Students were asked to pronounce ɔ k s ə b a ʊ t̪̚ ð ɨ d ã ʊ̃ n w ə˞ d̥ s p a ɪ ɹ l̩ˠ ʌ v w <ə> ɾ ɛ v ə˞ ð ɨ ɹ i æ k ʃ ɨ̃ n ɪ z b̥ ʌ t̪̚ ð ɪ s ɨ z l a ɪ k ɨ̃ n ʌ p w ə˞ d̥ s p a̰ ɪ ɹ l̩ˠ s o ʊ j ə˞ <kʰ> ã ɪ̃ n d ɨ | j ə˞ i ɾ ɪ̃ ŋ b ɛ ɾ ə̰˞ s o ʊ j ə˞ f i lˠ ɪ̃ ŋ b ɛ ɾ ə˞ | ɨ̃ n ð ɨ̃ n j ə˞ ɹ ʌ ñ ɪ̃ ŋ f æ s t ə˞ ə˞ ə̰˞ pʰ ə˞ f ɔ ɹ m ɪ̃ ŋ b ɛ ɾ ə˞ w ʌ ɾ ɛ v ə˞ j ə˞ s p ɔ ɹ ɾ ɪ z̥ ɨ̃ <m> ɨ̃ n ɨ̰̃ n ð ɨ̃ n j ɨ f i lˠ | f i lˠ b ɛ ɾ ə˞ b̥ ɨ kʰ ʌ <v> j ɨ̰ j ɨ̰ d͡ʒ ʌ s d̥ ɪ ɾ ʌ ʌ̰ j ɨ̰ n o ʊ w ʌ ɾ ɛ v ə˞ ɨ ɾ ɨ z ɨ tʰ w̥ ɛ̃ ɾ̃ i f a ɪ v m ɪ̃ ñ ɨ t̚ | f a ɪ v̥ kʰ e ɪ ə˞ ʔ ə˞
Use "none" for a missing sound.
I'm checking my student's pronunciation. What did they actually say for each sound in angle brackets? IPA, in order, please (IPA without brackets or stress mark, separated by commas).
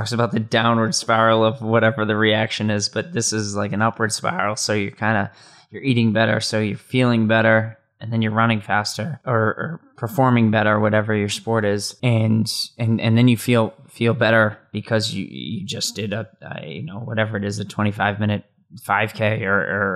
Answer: ʌ, kʰ, n, z